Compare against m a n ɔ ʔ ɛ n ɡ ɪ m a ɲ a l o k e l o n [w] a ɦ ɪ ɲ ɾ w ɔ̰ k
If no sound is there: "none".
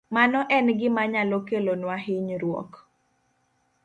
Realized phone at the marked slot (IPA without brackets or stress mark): w